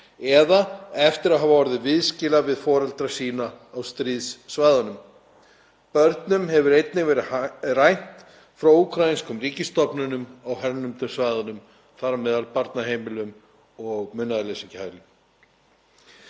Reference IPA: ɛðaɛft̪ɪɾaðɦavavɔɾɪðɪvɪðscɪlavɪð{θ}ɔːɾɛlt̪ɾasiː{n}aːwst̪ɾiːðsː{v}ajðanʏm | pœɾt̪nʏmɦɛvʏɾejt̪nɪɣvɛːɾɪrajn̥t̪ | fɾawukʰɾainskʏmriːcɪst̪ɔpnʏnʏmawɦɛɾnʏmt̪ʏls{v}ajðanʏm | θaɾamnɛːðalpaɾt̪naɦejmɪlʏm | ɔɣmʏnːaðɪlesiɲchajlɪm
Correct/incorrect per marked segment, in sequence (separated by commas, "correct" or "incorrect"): incorrect, correct, correct, correct